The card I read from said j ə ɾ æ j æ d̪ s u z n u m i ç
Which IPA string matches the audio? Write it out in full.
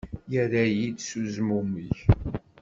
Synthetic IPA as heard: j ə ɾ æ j i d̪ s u z m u m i ç